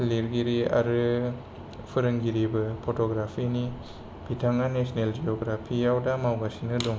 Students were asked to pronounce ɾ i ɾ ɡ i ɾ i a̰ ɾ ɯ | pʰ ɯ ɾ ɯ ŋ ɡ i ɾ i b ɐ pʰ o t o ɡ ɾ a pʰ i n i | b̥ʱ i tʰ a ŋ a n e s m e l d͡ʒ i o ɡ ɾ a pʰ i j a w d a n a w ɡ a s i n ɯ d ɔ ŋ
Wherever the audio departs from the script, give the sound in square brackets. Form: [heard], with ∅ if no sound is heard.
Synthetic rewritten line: [l] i ɾ ɡ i ɾ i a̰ ɾ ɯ | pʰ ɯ ɾ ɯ ŋ ɡ i ɾ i b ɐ pʰ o t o ɡ ɾ a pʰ i n i | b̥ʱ i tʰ a ŋ a n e s [n] e l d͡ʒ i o ɡ ɾ a pʰ i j a w d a [m] a w ɡ a s i n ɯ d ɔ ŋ